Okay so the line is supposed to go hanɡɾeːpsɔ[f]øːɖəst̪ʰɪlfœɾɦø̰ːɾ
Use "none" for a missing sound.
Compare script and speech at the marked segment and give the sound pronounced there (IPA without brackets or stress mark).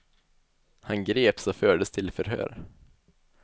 f